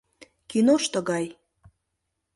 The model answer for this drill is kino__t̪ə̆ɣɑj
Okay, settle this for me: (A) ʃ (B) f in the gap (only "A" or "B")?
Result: A